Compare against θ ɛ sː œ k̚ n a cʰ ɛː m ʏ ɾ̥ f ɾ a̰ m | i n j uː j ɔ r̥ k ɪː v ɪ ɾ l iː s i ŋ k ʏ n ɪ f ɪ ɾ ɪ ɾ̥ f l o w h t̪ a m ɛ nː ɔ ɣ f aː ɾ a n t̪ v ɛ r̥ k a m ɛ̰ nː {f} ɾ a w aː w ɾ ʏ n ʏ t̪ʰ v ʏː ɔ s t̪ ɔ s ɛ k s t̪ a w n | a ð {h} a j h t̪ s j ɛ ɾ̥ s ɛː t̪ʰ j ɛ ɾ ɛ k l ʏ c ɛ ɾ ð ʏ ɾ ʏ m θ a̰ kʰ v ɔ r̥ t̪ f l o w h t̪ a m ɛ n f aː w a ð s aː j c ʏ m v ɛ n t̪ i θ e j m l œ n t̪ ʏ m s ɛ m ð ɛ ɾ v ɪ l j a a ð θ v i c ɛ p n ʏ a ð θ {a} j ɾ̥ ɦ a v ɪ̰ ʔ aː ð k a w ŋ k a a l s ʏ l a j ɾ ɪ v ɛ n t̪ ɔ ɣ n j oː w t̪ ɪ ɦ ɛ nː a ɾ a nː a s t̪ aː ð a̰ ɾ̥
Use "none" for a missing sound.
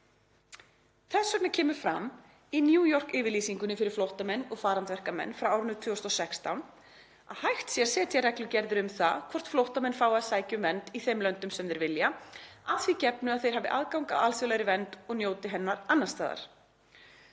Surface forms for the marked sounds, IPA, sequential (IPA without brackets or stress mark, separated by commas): f, h, e